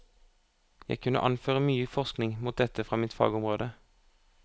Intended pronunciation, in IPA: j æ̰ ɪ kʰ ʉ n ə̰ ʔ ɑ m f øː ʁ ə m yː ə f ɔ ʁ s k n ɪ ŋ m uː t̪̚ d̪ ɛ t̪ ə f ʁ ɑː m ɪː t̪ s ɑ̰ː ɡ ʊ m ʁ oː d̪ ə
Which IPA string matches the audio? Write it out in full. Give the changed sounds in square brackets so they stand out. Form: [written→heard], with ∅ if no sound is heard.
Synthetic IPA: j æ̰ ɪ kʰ ʉ n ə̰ ʔ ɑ [m→n] f øː ʁ ə m yː ə f ɔ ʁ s k n ɪ ŋ m uː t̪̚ d̪ ɛ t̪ ə f ʁ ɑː m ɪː t̪ [s→f] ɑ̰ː ɡ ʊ m ʁ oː d̪ ə